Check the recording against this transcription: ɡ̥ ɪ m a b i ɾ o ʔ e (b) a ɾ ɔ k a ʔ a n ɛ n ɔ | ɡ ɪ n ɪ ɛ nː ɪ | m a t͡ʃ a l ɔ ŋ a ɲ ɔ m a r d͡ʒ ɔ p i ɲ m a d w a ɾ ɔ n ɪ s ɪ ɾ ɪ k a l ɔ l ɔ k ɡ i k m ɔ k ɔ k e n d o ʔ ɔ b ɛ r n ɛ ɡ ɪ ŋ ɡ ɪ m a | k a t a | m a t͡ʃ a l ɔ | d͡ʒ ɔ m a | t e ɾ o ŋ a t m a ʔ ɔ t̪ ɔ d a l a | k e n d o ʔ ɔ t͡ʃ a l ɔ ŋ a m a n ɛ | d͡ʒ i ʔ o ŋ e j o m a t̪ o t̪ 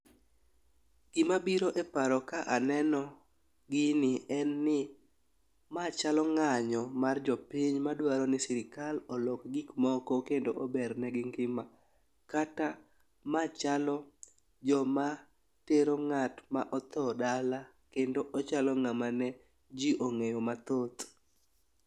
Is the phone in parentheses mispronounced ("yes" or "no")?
yes